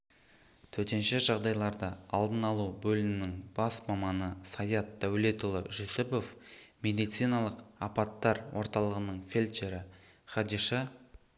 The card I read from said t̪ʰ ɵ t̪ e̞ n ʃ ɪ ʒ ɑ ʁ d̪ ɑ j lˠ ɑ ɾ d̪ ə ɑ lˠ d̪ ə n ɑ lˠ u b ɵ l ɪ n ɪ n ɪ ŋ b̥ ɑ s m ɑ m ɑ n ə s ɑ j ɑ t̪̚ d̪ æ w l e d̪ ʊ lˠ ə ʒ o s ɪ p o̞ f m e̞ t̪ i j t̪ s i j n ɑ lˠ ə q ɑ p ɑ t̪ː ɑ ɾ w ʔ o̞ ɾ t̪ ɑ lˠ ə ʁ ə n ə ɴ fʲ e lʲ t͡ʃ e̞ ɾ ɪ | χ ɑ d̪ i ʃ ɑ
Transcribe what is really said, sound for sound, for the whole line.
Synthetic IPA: t̪ʰ ɵ t̪ e̞ n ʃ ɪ ʒ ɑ ʁ d̪ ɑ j lˠ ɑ ɾ d̪ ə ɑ lˠ d̪ ə n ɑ lˠ u b ɵ l ɪ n ɪ n ɪ ŋ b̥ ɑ s m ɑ m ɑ n ə s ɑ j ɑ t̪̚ d̪ æ w l e t̪ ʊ lˠ ə ʒ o s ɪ p o̞ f m e̞ d̪ i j t̪ s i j n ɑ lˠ ə q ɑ p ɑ t̪ː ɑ ɾ w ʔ o̞ ɾ t̪ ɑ lˠ ə ʁ ə n ə ɴ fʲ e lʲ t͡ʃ e̞ ɾ ɪ | χ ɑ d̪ i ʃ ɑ